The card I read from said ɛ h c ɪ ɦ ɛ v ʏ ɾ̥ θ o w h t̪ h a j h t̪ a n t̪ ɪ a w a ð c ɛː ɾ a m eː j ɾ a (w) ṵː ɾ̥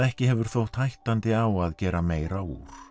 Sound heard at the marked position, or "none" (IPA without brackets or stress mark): w